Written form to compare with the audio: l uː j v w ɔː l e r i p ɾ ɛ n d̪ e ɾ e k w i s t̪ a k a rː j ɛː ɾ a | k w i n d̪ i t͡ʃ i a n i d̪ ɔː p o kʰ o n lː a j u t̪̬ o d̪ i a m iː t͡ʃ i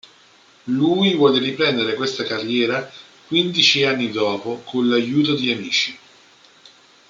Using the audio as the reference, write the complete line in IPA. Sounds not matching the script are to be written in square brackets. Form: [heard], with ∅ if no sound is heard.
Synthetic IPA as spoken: l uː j v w ɔː l e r i p ɾ ɛ n d̪ e ɾ e k w [e] s t̪ a k a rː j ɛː ɾ a | k w i n d̪ i t͡ʃ i a [nː] i d̪ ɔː p o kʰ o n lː a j [uː] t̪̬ o d̪ i a m iː t͡ʃ i